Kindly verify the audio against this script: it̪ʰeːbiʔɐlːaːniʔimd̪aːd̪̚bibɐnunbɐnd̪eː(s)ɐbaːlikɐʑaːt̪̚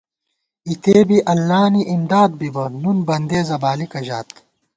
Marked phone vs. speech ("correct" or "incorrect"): incorrect